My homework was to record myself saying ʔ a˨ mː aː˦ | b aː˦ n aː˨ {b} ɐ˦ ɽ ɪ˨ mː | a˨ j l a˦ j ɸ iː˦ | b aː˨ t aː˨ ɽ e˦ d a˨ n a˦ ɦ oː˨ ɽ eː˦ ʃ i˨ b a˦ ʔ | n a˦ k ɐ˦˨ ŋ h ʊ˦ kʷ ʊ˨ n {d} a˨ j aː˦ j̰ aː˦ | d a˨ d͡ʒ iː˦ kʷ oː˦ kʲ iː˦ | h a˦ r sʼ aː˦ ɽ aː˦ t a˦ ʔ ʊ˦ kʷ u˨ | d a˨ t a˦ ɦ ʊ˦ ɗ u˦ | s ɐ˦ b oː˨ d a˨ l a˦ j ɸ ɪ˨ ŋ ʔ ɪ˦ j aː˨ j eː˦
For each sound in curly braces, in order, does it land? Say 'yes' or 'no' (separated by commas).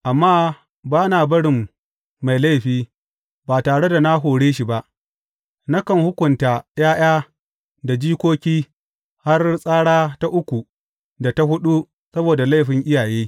yes, no